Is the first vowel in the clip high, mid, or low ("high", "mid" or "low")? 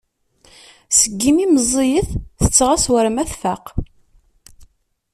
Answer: mid